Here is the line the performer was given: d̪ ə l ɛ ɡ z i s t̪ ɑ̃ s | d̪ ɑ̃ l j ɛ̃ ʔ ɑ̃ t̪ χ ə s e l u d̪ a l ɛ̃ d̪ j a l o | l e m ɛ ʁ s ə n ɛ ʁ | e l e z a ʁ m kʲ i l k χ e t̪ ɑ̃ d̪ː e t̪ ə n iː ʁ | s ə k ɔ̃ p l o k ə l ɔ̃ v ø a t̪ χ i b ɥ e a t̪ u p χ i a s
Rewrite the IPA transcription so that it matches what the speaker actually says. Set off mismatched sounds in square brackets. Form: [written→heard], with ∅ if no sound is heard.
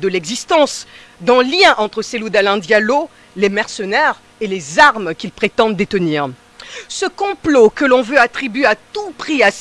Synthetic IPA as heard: d̪ ə l ɛ ɡ z i s t̪ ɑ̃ s | d̪ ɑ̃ l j ɛ̃ ʔ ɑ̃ t̪ χ ə s e l u d̪ a l ɛ̃ d̪ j a l o | l e m ɛ ʁ s ə n ɛ ʁ | e l e z a ʁ m kʲ i l [k→p] χ e t̪ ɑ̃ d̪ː e t̪ ə n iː ʁ | s ə k ɔ̃ p l o k ə l ɔ̃ v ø a t̪ χ i b ɥ e a t̪ u p χ i a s

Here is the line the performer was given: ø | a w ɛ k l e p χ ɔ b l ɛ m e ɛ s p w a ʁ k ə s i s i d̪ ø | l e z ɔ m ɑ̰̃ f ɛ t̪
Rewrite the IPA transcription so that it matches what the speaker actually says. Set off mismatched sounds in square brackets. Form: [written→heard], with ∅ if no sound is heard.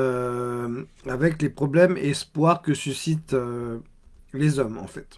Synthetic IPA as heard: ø | a [w→v] ɛ k l e p χ ɔ b l ɛ m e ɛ s p w a ʁ k ə s [i→y] s i [d̪→t̪] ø | l e z ɔ m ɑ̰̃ f ɛ t̪

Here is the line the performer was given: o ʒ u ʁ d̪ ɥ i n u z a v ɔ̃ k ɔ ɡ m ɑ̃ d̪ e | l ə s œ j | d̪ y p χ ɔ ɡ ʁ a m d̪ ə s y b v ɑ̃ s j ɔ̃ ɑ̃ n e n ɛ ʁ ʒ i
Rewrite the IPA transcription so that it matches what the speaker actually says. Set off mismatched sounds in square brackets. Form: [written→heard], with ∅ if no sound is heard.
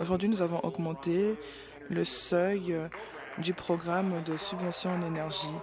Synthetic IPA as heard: o ʒ u ʁ d̪ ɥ i n u z a v ɔ̃ [k→ʔ] ɔ ɡ m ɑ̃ [d̪→t̪] e | l ə s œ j | d̪ y p χ ɔ ɡ ʁ a m d̪ ə s y b v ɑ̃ s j ɔ̃ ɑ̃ n e n ɛ ʁ ʒ i

